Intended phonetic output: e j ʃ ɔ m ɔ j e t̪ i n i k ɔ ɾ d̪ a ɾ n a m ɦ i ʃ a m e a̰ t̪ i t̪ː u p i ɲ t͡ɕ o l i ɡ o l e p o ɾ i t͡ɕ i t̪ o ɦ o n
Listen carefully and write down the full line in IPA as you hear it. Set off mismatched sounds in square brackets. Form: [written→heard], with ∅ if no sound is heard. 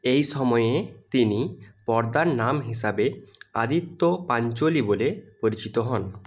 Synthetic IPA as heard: e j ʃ ɔ m ɔ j e t̪ i n i [k→p] ɔ ɾ d̪ a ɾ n a m ɦ i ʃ a [m→b] e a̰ [t̪→d̪] i t̪ː [u→o] p [i→a] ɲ t͡ɕ o l i [ɡ→b] o l e p o ɾ i t͡ɕ i t̪ o ɦ [o→ɔ] n